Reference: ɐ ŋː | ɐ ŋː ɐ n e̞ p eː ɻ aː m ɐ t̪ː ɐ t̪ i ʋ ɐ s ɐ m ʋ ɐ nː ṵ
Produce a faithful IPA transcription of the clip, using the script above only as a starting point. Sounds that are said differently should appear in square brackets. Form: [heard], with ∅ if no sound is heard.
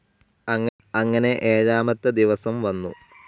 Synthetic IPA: ɐ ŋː | ɐ ŋː ɐ n e̞ [ʔ] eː ɻ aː m ɐ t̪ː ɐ [d̪] i ʋ ɐ s ɐ m ʋ ɐ nː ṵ